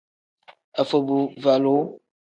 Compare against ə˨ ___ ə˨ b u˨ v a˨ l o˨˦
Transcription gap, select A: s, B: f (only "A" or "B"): B